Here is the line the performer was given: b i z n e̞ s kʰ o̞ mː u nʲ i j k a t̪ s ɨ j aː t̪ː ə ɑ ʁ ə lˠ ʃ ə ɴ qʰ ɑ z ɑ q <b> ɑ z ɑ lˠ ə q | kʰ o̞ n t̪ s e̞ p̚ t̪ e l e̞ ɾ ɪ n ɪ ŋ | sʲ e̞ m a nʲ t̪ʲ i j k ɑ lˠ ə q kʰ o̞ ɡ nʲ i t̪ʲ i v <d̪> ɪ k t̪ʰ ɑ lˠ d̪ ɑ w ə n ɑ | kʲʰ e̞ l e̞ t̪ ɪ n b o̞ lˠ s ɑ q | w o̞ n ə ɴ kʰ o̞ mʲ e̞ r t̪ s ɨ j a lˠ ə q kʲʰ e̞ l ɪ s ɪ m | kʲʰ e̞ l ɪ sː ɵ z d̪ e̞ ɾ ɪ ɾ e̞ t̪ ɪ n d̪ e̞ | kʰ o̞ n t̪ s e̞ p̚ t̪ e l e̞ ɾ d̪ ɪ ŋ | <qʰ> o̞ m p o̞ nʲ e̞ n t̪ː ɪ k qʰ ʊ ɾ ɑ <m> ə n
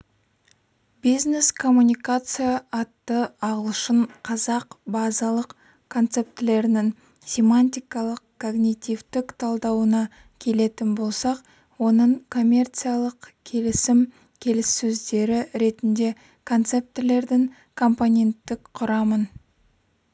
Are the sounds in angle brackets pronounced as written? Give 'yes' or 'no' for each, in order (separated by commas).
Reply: yes, no, no, yes